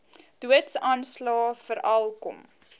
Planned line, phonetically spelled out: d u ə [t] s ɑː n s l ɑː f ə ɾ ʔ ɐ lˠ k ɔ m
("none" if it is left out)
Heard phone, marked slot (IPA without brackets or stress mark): t